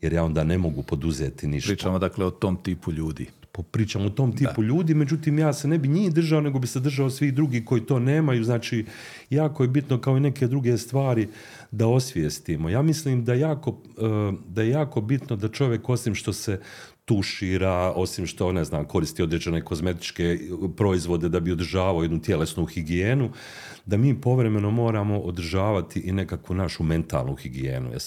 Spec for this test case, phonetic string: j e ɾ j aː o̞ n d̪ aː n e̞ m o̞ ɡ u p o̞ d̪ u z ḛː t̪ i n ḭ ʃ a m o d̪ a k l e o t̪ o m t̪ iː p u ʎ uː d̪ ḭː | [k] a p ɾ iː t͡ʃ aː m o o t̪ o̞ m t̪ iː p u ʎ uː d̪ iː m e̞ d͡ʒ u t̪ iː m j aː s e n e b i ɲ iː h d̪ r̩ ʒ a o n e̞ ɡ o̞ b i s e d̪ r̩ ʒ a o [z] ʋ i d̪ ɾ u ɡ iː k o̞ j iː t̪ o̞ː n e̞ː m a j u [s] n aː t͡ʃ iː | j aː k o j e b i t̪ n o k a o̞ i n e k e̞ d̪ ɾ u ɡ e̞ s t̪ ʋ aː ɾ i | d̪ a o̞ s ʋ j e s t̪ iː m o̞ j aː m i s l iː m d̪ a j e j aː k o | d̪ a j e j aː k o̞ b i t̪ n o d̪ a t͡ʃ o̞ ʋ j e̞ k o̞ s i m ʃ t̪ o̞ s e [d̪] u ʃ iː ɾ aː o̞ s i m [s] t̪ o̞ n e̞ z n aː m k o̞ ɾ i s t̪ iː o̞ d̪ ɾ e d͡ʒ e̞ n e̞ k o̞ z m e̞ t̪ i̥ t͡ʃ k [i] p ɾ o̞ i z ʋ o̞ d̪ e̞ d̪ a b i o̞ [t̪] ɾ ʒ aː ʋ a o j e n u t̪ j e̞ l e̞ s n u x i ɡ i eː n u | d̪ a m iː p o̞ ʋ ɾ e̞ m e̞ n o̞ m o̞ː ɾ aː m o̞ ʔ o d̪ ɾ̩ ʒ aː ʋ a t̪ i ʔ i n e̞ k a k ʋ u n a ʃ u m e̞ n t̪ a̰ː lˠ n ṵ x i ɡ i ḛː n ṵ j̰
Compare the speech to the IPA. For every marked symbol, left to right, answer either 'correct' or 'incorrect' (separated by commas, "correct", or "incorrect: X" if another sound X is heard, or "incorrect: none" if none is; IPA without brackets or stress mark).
incorrect: p, incorrect: s, incorrect: z, incorrect: t̪, incorrect: ʃ, incorrect: e, incorrect: d̪